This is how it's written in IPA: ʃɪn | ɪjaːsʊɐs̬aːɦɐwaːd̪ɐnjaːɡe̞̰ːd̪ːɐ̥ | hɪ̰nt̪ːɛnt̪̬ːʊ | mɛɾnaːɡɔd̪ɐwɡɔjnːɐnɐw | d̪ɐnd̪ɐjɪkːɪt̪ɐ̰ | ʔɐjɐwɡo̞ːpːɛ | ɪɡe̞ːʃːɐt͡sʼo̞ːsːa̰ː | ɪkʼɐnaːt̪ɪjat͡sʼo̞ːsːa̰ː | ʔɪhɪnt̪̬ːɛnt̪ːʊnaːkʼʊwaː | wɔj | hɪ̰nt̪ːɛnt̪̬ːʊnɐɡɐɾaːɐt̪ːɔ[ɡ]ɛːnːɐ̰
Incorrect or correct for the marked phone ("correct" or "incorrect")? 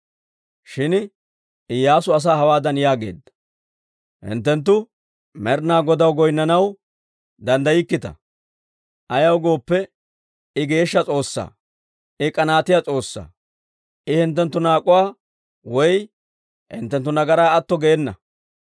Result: correct